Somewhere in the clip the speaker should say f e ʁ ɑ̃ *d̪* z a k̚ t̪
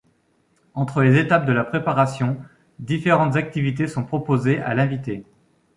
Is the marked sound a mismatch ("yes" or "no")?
yes